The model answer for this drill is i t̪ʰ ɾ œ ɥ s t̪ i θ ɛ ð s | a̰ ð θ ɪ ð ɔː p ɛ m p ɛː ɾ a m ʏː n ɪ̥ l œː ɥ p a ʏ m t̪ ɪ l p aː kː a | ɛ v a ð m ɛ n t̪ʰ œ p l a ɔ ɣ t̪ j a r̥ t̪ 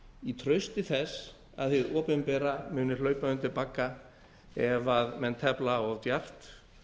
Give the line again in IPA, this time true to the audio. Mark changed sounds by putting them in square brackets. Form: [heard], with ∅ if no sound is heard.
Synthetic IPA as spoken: i t̪ʰ ɾ œ ɥ s t̪ [ɪ] θ ɛ [∅] s | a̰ ð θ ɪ ð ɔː p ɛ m p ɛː ɾ a m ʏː n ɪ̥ l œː ɥ p a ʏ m t̪ ɪ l p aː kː a | ɛ v a ð m ɛ n t̪ʰ [ɛ] p l a ɔ ɣ t̪ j a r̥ t̪